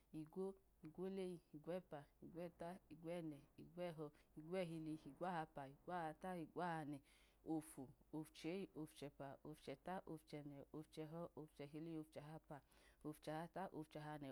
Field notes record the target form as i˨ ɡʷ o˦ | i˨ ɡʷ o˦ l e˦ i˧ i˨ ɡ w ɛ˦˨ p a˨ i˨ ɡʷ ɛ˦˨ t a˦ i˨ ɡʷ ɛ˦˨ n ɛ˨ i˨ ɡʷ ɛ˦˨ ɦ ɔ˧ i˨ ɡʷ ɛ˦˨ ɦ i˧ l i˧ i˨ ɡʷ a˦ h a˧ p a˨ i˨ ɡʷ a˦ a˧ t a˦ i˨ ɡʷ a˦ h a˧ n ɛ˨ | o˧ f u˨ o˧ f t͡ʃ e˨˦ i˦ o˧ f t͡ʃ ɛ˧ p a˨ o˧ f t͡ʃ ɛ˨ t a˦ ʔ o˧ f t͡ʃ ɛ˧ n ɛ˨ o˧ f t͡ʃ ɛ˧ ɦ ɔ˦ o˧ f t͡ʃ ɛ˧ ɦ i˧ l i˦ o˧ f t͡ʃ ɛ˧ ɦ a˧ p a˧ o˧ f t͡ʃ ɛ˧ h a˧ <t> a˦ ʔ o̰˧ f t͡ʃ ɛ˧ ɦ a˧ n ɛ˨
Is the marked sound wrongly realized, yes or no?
no